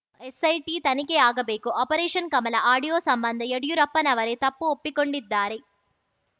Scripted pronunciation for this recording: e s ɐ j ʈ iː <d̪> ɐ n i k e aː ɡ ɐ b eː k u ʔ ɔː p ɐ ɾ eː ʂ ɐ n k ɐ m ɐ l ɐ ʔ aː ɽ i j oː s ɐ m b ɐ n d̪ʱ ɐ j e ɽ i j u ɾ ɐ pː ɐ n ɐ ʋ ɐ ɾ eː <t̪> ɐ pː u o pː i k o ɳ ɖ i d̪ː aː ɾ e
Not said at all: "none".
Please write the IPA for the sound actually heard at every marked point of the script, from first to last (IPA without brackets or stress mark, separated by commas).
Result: t̪, t̪